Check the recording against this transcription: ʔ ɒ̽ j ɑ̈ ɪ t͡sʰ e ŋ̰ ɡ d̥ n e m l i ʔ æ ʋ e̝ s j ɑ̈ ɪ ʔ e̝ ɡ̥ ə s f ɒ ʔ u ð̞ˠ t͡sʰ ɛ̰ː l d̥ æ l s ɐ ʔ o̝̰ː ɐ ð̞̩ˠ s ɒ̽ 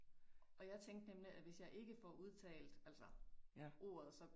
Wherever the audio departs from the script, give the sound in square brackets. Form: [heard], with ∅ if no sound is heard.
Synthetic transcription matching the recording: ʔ ɒ̽ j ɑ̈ ɪ t͡sʰ e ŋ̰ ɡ d̥ n e m l i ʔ æ ʋ e̝ s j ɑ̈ ɪ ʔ e̝ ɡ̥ ə [∅] f ɒ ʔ u ð̞ˠ t͡sʰ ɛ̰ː l d̥ æ l s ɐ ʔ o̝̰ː ɐ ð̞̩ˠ s ɒ̽